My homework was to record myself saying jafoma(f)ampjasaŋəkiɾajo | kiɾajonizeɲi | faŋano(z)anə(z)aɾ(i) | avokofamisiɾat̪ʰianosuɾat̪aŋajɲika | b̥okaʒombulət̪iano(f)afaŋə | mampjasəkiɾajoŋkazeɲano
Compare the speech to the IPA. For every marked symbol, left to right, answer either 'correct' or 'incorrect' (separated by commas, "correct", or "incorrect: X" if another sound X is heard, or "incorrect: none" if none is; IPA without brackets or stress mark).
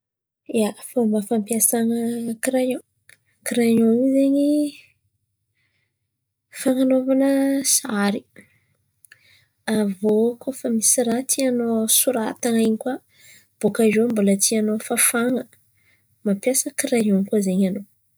correct, incorrect: v, incorrect: s, correct, correct